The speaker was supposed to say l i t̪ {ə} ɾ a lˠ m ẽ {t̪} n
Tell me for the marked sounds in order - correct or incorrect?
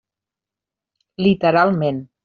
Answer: correct, incorrect: none

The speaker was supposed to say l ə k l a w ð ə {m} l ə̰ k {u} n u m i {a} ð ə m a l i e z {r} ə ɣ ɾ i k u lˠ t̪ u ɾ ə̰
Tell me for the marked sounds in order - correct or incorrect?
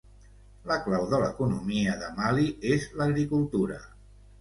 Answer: incorrect: none, correct, incorrect: ə, incorrect: l

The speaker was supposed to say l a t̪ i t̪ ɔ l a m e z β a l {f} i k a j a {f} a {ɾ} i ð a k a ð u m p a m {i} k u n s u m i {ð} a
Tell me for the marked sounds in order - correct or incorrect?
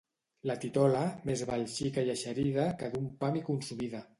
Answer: incorrect: ʃ, incorrect: ʃ, correct, correct, correct

